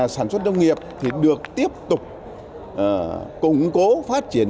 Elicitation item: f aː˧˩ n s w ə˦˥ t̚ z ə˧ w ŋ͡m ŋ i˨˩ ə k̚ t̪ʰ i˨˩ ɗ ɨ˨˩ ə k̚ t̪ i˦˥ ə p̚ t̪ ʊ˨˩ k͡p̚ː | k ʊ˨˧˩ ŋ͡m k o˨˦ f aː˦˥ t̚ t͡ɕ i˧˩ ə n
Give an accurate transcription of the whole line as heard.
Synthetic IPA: s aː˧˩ n s w ə˦˥ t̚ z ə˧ w ŋ͡m ŋ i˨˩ ə p̚ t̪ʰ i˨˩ ɗ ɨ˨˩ ə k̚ t̪ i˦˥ ə p̚ t̪ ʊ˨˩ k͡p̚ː | k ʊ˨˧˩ ŋ͡m k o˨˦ f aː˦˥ t̚ t͡ɕ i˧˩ ə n

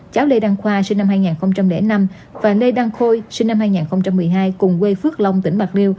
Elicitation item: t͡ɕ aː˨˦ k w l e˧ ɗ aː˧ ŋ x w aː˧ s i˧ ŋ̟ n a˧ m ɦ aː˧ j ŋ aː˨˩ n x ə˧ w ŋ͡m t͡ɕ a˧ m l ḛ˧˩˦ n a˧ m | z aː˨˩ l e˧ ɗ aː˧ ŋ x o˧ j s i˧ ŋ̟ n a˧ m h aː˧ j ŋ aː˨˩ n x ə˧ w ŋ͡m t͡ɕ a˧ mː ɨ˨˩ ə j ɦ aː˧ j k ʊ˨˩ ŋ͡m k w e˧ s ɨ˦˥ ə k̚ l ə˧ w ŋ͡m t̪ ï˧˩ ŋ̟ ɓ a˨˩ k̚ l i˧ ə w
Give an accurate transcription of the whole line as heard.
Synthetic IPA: t͡ɕ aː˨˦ w l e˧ ɗ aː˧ ŋ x w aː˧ s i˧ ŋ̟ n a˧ m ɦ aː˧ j ŋ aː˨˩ n x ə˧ w ŋ͡m t͡ɕ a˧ m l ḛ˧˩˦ n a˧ m | v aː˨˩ l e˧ ɗ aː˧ ŋ x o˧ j s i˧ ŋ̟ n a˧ m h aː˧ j ŋ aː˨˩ n x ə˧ w ŋ͡m t͡ɕ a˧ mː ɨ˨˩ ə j ɦ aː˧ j k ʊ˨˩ ŋ͡m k w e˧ f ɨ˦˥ ə k̚ l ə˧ w ŋ͡m t̪ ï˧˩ ŋ̟ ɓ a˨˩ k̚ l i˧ ə w

